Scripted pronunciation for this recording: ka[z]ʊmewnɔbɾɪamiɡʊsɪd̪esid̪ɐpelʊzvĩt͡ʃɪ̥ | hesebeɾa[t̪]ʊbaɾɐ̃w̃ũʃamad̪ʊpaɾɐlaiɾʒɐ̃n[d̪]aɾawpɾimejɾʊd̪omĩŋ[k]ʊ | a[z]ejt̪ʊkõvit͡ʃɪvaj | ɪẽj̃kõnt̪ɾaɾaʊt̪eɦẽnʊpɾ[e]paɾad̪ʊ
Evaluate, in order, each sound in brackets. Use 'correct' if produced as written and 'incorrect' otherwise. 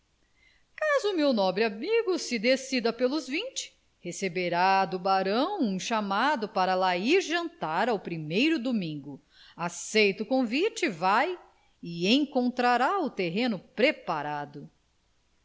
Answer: correct, incorrect: d̪, incorrect: t̪, incorrect: ɡ, incorrect: s, correct

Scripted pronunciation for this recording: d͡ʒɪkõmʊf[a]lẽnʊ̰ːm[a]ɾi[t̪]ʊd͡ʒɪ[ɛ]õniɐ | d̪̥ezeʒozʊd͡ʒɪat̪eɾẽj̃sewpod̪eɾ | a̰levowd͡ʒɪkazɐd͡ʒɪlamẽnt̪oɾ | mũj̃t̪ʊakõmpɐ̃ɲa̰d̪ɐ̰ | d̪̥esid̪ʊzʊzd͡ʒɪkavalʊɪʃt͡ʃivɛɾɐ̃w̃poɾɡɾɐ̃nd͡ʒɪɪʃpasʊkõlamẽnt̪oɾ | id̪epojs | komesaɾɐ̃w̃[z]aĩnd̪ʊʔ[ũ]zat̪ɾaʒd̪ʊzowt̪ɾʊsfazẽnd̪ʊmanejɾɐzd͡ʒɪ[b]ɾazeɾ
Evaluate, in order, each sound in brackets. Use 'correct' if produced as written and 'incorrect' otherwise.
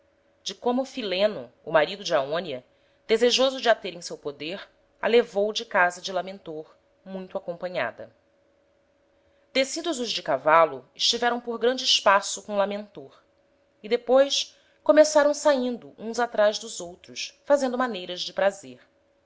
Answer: incorrect: i, correct, incorrect: d̪, incorrect: a, incorrect: s, correct, incorrect: p

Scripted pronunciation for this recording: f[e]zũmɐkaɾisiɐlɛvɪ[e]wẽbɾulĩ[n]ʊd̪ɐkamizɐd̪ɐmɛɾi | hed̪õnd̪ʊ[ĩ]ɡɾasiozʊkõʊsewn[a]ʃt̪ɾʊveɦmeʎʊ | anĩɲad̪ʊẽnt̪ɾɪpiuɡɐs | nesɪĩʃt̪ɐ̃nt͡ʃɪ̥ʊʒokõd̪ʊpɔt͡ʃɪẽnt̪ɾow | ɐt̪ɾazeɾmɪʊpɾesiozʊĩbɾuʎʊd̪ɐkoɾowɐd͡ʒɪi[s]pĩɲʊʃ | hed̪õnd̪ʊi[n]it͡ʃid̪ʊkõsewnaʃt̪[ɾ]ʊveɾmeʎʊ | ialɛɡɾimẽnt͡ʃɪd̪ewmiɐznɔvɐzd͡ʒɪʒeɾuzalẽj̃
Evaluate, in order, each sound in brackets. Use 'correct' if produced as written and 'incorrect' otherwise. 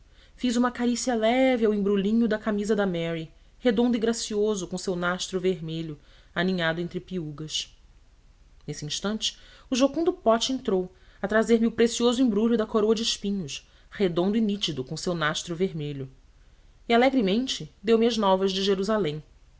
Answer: incorrect: i, incorrect: a, incorrect: ɲ, incorrect: i, correct, incorrect: ʃ, correct, correct

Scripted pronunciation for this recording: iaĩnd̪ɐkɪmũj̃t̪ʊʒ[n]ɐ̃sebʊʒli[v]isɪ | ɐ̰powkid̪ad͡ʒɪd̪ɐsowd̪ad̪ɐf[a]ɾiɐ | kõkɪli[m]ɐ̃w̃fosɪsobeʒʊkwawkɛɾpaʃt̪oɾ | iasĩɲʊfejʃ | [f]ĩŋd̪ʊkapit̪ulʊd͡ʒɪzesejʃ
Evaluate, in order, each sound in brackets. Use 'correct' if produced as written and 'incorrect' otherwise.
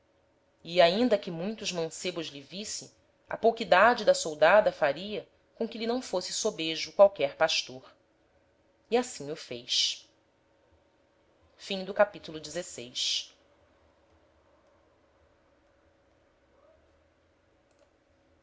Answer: incorrect: m, correct, correct, incorrect: n, correct

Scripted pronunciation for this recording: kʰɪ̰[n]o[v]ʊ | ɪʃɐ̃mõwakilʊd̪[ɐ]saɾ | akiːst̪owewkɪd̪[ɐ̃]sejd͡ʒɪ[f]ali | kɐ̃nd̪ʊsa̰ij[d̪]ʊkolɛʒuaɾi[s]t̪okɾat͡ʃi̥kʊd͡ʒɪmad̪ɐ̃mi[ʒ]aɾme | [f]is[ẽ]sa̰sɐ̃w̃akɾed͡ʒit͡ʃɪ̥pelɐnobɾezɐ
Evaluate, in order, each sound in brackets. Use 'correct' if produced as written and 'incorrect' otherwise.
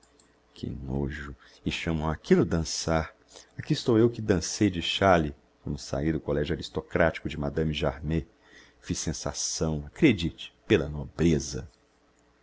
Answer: correct, incorrect: ʒ, incorrect: ɐ̃, correct, incorrect: ʃ, correct, correct, correct, correct, correct

